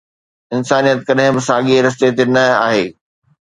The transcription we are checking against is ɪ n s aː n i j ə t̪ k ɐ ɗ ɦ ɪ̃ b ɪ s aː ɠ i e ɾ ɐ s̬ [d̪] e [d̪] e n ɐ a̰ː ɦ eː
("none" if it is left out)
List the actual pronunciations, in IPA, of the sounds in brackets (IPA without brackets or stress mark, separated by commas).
t̪, t̪